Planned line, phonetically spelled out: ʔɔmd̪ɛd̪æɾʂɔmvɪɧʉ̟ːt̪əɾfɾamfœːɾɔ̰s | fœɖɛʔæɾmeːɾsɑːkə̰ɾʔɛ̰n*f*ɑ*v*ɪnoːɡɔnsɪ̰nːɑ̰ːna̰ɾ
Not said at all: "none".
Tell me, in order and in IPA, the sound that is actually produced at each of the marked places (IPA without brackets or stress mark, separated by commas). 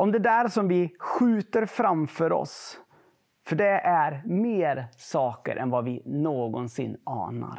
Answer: v, v